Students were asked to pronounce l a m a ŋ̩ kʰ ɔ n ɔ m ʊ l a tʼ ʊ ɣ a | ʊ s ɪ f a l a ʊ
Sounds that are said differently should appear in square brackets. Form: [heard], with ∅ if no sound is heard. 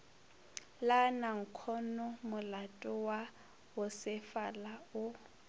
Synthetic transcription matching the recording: l a [n] a ŋ̩ kʰ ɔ n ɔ m ʊ l a tʼ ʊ [w] a | ʊ s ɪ f a l a ʊ